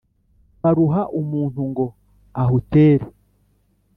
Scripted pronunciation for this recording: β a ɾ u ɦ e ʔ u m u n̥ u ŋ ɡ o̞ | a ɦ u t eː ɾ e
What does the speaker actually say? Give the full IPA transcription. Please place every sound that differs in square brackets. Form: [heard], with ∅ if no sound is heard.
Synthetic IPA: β a ɾ u ɦ [a] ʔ u m [uː] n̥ u ŋ ɡ o̞ | a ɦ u t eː ɾ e